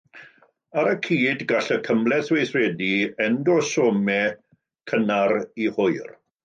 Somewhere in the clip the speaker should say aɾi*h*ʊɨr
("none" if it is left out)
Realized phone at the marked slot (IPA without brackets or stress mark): h